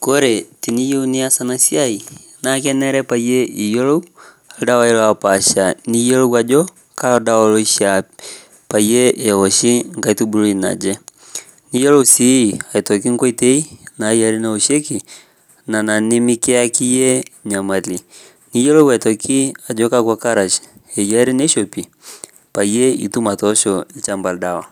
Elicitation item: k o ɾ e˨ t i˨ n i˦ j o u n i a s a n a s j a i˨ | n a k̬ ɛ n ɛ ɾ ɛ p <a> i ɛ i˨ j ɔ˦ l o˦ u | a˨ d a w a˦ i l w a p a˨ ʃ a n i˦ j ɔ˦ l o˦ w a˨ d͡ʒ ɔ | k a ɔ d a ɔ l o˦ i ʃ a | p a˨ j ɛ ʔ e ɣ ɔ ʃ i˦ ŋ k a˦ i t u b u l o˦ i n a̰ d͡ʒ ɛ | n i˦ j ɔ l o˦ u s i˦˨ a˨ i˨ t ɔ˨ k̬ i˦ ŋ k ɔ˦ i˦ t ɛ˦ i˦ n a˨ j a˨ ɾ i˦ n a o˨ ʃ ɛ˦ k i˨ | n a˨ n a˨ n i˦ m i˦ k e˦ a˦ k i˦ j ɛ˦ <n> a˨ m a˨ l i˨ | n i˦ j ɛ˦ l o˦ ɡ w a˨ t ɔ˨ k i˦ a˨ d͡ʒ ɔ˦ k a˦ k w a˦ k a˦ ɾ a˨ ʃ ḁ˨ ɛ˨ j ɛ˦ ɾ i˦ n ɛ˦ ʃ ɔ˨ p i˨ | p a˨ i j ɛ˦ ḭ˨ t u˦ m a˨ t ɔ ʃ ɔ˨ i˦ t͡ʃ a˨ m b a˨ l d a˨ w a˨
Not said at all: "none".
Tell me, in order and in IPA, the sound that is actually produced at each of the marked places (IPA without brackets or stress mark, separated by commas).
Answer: a, ɲ